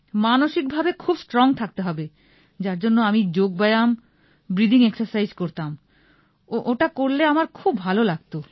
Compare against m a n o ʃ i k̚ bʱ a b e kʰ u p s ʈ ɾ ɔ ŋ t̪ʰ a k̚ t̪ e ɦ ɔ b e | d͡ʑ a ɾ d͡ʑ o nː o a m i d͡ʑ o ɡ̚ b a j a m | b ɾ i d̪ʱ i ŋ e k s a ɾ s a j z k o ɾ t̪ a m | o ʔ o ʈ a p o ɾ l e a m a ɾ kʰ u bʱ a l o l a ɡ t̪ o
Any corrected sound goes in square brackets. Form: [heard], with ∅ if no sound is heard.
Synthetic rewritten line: m a n o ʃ i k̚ bʱ a b e kʰ u [b] s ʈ ɾ ɔ ŋ t̪ʰ a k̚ t̪ e ɦ ɔ b e | d͡ʑ a ɾ d͡ʑ o nː o a m i d͡ʑ o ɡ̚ b a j a m | b ɾ i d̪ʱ i ŋ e k s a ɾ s a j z k o ɾ t̪ a m | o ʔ o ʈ a [k] o ɾ l e a m a ɾ kʰ u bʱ a l o l a ɡ t̪ o